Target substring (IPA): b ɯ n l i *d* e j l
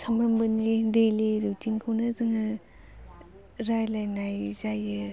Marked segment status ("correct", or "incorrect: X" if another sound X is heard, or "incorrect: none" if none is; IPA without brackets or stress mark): correct